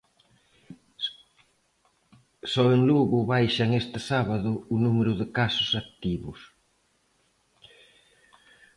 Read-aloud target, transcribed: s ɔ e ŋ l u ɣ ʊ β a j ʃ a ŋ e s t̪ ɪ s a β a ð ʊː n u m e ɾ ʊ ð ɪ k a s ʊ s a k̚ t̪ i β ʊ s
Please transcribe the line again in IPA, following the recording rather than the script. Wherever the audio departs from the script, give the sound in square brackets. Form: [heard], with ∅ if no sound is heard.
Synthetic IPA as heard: s ɔ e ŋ l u ɣ ʊ β a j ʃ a ŋ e s t̪ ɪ s a β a ð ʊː n u m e ɾ ʊ ð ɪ k a s ʊ s a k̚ t̪ i β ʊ s